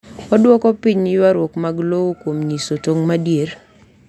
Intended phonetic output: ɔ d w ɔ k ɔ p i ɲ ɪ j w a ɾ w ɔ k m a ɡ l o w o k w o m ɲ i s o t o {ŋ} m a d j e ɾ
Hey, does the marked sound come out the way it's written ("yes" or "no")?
yes